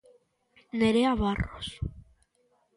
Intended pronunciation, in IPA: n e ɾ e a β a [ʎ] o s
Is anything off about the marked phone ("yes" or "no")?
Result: yes